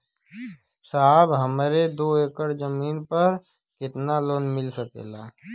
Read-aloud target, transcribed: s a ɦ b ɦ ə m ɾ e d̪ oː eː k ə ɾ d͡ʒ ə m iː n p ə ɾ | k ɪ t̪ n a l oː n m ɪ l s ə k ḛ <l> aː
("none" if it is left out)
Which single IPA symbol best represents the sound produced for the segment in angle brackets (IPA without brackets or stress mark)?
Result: l